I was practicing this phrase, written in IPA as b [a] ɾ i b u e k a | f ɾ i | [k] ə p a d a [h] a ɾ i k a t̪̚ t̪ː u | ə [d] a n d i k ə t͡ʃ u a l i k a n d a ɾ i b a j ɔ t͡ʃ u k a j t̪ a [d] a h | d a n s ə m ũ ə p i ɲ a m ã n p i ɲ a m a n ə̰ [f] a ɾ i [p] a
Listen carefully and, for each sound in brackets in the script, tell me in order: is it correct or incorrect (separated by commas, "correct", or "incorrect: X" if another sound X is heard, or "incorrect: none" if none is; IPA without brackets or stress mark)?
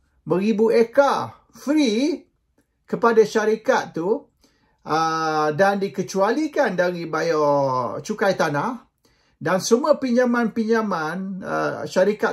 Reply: incorrect: ə, correct, incorrect: ʃ, correct, incorrect: n, incorrect: ʃ, incorrect: k